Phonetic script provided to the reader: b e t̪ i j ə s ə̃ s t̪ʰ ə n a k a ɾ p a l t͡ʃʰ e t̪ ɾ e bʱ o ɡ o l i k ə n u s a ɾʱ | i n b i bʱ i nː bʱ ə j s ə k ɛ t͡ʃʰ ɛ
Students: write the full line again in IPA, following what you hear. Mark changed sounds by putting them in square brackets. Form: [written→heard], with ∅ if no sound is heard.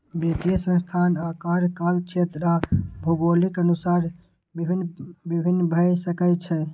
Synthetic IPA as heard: b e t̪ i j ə s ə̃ s t̪ʰ [ə→a] n a k a ɾ [p→k] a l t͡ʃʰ e t̪ ɾ [e→a] bʱ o ɡ o l i k ə n u s a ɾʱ | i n b i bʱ i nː bʱ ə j s ə k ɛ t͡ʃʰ ɛ